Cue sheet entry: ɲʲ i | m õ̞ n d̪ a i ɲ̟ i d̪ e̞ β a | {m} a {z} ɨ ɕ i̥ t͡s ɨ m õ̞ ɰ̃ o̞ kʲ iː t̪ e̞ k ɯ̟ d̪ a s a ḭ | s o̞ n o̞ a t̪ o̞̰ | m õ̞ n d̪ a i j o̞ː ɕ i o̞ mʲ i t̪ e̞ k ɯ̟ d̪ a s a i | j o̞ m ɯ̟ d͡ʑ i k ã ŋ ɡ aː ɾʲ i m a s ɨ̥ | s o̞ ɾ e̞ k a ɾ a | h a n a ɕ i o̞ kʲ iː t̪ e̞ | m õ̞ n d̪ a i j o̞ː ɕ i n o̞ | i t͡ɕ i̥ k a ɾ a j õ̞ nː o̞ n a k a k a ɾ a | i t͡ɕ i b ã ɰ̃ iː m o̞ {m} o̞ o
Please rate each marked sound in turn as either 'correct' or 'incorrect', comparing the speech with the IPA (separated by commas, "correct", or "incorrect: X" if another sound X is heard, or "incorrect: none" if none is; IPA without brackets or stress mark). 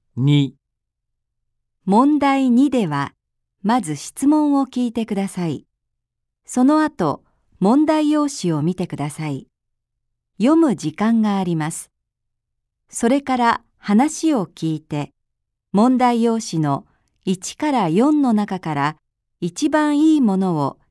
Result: correct, correct, incorrect: n